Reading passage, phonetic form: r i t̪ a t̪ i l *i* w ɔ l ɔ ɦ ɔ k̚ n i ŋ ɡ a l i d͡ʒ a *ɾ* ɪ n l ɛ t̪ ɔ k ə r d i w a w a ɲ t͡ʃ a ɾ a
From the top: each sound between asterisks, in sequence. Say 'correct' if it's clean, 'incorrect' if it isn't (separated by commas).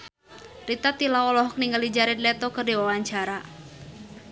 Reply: incorrect, correct